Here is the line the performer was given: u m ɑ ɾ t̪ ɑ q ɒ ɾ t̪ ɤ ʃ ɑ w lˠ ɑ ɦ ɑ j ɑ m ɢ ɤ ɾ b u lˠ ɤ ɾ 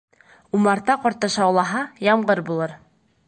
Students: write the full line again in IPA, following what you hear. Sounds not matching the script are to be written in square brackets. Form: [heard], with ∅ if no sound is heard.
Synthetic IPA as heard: u m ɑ ɾ t̪ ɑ q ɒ ɾ t̪ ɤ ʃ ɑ w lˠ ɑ ɦ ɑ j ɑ m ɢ ɤ ɾ b u lˠ ɤ ɾ